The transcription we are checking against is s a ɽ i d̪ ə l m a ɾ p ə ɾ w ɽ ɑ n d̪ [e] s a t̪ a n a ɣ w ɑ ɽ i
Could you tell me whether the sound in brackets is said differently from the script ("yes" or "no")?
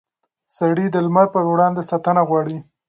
no